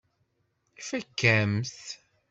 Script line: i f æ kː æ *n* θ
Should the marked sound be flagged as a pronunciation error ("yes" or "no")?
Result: yes